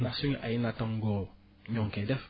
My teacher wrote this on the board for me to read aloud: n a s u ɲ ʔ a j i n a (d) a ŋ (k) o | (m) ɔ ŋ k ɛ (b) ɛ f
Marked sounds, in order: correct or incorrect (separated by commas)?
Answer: incorrect, incorrect, incorrect, incorrect